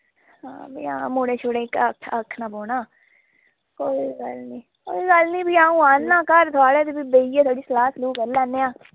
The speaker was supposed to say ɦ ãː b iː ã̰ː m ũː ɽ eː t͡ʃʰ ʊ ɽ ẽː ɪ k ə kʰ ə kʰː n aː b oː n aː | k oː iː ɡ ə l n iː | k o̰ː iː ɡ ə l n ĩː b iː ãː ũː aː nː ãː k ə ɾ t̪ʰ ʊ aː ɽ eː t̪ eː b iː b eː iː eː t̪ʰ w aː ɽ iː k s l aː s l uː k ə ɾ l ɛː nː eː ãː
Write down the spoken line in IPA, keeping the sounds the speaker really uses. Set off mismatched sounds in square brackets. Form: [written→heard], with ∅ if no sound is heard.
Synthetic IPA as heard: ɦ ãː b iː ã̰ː m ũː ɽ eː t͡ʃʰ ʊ ɽ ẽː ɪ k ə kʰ ə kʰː n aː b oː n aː | k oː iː ɡ ə l n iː | k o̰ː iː ɡ ə l n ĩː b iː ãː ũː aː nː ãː k ə ɾ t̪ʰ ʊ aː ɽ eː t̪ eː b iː b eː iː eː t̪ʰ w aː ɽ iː [k→∅] s l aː s l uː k ə ɾ l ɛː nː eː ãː

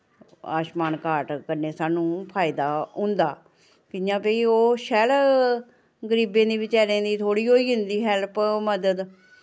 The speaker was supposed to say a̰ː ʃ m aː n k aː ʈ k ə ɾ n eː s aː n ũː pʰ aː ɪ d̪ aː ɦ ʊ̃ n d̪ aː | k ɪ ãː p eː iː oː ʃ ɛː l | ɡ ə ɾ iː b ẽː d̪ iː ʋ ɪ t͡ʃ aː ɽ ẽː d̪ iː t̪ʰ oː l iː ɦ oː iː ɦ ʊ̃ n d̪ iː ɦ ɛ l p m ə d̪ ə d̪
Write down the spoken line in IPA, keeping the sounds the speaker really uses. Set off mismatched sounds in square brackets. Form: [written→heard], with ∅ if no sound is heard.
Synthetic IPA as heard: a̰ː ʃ m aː n k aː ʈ k ə ɾ n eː s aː n ũː pʰ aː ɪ d̪ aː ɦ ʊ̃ n d̪ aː | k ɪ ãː p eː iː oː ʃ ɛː l | ɡ ə ɾ iː b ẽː d̪ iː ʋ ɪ t͡ʃ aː [ɽ→ɾ] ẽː d̪ iː t̪ʰ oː [l→ɽ] iː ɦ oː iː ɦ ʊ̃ n d̪ iː ɦ ɛ l p m ə d̪ ə d̪

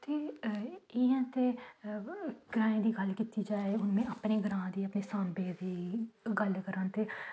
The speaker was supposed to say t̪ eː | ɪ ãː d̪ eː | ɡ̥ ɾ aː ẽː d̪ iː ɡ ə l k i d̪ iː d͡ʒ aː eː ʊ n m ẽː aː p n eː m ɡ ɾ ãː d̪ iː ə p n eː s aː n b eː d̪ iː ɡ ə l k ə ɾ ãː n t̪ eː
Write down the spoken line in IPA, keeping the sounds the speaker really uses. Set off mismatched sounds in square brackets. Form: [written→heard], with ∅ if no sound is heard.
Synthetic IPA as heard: t̪ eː | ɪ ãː [d̪→t̪] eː | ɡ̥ ɾ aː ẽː d̪ iː ɡ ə l k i [d̪→t̪] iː d͡ʒ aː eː ʊ n m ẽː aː p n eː [m→∅] ɡ ɾ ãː d̪ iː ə p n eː s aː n b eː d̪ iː ɡ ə l k ə ɾ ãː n t̪ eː

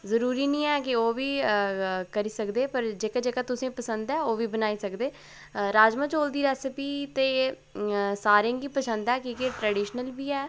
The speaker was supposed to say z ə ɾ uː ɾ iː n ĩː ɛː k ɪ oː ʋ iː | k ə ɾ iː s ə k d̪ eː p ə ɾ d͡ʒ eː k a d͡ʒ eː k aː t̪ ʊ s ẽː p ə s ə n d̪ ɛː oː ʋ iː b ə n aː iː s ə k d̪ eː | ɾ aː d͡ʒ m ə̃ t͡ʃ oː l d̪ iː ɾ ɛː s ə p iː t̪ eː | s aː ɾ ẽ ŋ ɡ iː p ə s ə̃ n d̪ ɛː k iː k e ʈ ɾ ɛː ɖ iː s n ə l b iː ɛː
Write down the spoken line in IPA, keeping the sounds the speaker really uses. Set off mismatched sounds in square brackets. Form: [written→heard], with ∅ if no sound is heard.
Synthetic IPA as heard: z ə ɾ uː ɾ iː n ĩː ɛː k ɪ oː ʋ iː | k ə ɾ iː s ə k d̪ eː p ə ɾ d͡ʒ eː k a d͡ʒ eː k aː t̪ ʊ s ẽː p ə s ə n d̪ ɛː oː ʋ iː b ə n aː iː s ə k d̪ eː | ɾ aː d͡ʒ m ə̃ t͡ʃ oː l d̪ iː ɾ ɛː s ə p iː t̪ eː | s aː ɾ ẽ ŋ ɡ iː p ə s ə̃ n d̪ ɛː k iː k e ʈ ɾ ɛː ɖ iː [s→ʃ] n ə l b iː ɛː

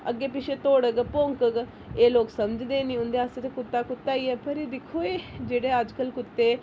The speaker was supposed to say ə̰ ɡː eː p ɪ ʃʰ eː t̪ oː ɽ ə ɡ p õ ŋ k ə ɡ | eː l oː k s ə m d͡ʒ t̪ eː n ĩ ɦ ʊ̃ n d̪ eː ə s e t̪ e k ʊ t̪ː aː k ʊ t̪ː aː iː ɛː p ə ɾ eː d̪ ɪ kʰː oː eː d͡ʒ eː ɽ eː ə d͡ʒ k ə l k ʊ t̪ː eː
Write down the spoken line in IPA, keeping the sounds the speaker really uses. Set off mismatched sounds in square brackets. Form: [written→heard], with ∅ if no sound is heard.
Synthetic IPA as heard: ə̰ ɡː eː p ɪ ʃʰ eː t̪ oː ɽ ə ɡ p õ ŋ k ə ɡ | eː l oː k s ə m d͡ʒ [t̪→d̪] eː n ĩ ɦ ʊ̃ n d̪ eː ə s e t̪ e k ʊ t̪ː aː k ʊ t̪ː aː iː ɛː p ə ɾ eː d̪ ɪ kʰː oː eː d͡ʒ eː ɽ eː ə d͡ʒ k ə l k ʊ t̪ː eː

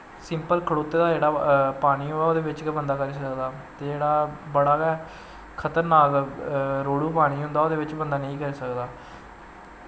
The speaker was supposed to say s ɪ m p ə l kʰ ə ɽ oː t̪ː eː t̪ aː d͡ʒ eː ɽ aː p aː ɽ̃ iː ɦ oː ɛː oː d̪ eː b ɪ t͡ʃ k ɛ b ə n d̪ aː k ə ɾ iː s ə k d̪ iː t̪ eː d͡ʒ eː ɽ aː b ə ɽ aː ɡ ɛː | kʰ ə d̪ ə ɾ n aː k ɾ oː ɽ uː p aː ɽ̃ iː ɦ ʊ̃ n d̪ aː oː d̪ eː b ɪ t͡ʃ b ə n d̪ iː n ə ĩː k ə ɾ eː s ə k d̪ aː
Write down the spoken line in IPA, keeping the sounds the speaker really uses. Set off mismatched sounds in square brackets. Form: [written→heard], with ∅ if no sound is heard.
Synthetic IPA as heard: s ɪ m p ə l kʰ ə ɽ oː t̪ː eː [t̪→d̪] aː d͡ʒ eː ɽ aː p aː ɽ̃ iː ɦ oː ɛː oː d̪ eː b ɪ t͡ʃ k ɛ b ə n d̪ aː k ə ɾ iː s ə k d̪ [iː→aː] t̪ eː d͡ʒ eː ɽ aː b ə ɽ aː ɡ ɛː | kʰ ə [d̪→t̪] ə ɾ n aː k ɾ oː ɽ uː p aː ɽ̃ iː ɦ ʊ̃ n d̪ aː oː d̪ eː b ɪ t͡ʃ b ə n d̪ [iː→aː] n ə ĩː k ə ɾ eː s ə k d̪ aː

